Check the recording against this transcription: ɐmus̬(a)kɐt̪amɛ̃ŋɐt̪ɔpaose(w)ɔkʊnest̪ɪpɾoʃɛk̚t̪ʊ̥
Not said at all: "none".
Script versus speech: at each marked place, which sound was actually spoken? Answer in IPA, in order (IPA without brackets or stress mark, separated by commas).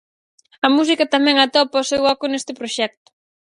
i, w